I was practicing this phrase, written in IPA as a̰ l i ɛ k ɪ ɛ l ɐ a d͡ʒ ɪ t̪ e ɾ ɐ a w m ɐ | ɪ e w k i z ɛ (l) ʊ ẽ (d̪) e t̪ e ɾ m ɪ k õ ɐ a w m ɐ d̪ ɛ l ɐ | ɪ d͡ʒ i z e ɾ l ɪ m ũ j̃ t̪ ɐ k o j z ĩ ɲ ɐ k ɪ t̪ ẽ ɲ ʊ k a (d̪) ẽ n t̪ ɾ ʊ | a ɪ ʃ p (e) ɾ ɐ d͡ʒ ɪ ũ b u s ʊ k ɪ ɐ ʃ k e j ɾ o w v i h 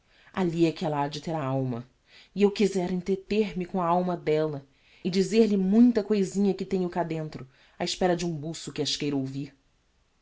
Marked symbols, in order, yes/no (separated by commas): no, no, yes, no